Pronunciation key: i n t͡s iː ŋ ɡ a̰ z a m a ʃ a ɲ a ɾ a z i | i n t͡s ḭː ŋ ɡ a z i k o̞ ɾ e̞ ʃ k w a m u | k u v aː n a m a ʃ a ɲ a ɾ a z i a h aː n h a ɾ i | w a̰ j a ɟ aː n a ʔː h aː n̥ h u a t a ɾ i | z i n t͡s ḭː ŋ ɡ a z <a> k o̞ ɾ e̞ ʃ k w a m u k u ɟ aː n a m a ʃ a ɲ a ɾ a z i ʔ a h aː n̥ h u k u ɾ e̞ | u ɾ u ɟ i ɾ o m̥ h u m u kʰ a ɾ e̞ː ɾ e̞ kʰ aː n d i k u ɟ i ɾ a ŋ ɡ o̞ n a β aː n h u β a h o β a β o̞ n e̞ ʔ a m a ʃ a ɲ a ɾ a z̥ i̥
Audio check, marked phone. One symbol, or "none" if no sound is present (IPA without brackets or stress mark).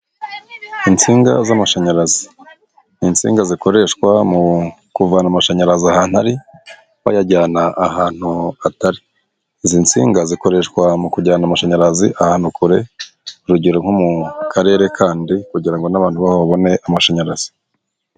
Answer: i